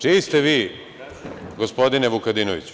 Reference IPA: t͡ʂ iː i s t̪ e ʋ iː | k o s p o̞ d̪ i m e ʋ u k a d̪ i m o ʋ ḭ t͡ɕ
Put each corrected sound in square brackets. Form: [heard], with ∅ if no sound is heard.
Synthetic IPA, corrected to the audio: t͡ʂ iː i s t̪ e ʋ iː | [ɡ] o s p o̞ d̪ i [n] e ʋ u k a d̪ i [n] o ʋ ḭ t͡ɕ